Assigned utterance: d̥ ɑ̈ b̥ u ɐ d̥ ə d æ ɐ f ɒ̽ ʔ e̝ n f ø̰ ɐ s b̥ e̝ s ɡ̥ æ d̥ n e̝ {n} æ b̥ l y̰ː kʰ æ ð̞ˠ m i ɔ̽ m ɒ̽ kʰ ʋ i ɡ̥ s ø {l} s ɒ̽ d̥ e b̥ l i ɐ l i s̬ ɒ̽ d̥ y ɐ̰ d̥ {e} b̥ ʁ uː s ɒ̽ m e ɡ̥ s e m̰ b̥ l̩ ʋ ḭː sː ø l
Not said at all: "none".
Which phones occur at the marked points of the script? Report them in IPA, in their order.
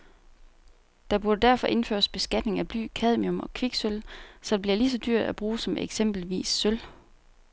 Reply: ŋ, l, æ

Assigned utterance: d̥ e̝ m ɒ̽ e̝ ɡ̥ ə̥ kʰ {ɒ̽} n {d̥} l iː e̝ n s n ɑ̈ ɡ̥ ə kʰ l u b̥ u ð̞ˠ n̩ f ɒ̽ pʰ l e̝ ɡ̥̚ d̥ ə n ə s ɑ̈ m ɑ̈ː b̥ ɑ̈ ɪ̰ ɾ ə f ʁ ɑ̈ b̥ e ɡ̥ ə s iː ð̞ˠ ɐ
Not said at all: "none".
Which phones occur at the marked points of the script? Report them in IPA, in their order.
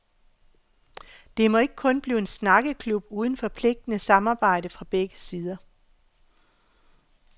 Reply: ɔ̽, b̥

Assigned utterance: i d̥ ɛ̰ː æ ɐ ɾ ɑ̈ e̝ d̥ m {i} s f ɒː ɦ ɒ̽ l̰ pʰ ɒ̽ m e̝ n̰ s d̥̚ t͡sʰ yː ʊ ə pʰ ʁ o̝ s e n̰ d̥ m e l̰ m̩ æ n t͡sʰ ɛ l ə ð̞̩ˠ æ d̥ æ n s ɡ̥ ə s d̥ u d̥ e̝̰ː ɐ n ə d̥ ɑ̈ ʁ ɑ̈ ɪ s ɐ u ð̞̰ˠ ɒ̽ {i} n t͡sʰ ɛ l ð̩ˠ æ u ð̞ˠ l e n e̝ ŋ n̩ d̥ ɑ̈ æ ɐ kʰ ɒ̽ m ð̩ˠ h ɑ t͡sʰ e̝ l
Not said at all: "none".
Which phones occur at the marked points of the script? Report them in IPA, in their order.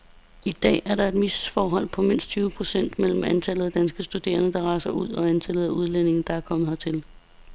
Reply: i, æ

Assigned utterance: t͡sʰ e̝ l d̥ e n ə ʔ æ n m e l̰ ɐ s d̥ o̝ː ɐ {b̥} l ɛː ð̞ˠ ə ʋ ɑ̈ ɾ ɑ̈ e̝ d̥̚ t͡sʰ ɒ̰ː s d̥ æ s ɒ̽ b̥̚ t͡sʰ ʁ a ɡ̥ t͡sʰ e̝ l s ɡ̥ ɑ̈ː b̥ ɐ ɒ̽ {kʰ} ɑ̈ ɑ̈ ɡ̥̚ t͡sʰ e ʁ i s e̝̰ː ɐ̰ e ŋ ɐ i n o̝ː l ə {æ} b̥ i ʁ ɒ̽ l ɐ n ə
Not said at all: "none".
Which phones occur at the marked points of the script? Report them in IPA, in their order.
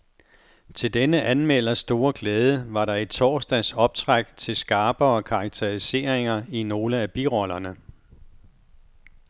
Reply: ɡ̥, kʰ, æ

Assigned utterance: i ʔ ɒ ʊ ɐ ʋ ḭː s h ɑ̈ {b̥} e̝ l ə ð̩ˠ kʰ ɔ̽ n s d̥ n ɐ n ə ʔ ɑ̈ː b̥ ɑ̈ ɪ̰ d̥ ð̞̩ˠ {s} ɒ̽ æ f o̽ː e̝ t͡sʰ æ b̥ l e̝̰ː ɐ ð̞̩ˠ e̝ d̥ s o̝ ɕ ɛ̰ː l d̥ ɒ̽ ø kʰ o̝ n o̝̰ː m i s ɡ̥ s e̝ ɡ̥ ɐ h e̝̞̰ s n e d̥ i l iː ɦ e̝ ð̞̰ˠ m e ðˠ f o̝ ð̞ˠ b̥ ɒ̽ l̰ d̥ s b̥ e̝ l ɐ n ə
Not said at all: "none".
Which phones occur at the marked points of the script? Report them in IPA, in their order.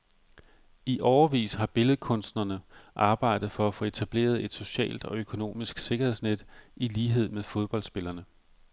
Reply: b̥, f

